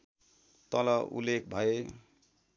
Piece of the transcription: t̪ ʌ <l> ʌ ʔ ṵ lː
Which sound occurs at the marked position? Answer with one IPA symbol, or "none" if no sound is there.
l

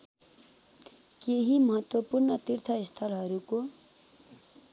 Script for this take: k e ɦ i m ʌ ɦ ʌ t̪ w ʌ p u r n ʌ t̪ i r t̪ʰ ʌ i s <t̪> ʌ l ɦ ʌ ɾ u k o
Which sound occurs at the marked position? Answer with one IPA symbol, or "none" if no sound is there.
t̪ʰ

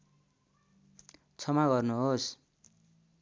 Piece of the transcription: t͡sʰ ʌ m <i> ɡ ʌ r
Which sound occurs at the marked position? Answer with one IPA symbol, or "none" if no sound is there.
a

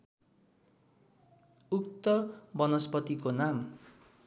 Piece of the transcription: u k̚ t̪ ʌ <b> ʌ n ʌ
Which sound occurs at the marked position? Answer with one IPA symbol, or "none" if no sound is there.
b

